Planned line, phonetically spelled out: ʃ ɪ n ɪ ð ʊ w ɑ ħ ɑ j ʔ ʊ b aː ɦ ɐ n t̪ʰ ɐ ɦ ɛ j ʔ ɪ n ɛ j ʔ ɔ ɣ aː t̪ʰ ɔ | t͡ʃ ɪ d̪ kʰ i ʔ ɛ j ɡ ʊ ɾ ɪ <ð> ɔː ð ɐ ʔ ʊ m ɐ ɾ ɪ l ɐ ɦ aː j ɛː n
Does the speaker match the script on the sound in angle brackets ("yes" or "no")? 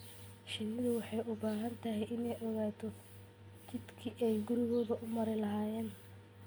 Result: no